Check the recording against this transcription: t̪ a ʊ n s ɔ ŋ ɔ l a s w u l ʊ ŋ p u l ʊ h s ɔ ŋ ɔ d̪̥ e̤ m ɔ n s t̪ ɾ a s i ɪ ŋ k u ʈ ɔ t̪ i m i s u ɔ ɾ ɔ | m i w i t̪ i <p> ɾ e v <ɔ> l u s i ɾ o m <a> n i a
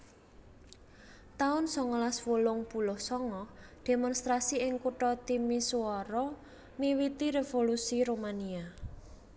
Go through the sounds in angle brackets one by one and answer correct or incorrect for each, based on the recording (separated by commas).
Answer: incorrect, incorrect, correct